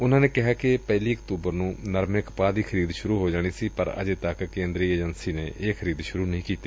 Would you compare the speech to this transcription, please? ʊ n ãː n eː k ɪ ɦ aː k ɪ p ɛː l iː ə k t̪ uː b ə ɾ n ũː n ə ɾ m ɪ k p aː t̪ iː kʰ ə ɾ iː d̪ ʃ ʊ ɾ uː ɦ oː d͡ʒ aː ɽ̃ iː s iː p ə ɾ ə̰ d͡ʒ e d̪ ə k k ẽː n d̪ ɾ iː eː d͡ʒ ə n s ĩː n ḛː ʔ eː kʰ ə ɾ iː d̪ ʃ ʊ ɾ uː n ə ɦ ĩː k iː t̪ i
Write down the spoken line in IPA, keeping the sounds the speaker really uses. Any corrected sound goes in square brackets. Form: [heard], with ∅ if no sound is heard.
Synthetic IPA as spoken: ʊ n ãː n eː k ɪ ɦ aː k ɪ p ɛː l iː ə k t̪ uː b ə ɾ n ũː n ə ɾ m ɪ k p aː [d̪] iː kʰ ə ɾ iː d̪ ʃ ʊ ɾ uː ɦ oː d͡ʒ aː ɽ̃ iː s iː p ə ɾ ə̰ d͡ʒ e [t̪] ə k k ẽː n d̪ ɾ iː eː d͡ʒ ə n s [iː] n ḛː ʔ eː kʰ ə ɾ iː d̪ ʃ ʊ ɾ uː n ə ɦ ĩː k iː t̪ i